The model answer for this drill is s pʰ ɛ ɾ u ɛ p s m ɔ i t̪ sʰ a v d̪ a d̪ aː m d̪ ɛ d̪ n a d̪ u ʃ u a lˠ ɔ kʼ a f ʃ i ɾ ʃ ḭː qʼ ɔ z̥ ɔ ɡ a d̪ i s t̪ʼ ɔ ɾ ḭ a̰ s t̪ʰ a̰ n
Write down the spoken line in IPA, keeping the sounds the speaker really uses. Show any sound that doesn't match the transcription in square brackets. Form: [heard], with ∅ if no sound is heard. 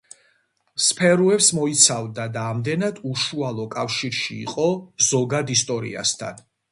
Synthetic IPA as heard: s pʰ ɛ ɾ u ɛ p s m ɔ i t̪ sʰ a v d̪ a d̪ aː m d̪ ɛ [∅] n a d̪ u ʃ u a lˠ ɔ kʼ a f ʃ i ɾ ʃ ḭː qʼ ɔ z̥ ɔ ɡ a d̪ i s t̪ʼ ɔ ɾ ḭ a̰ s t̪ʰ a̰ n